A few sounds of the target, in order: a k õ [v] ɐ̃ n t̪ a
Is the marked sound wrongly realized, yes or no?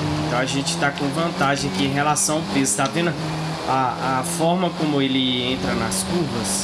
no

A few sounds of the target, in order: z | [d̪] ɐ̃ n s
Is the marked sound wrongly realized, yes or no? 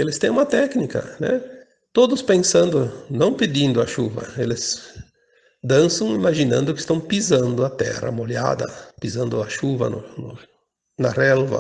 no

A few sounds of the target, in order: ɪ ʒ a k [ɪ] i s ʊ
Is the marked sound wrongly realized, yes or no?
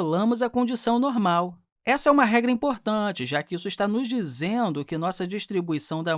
no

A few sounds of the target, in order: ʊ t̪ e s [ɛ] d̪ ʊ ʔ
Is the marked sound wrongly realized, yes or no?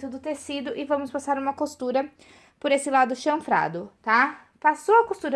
yes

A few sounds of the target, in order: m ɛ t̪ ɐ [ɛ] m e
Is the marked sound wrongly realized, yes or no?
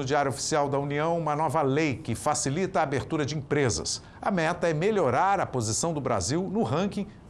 no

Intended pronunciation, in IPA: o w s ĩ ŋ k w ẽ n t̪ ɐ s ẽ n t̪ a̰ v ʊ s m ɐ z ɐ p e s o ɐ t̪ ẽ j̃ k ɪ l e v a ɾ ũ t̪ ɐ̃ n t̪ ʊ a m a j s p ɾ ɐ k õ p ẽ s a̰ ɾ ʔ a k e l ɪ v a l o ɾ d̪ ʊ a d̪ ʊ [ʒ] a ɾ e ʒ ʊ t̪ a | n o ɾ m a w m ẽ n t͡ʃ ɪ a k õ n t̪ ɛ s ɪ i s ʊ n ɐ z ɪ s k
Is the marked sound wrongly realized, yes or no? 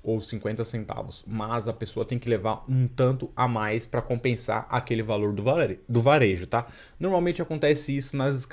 yes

